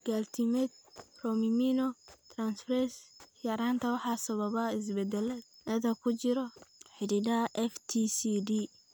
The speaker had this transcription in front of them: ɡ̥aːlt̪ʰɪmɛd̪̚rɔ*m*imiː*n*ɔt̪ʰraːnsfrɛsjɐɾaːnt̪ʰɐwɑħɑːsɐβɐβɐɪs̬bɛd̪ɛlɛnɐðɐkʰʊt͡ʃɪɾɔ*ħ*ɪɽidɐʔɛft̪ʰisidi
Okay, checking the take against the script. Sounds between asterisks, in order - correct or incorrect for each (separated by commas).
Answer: correct, correct, correct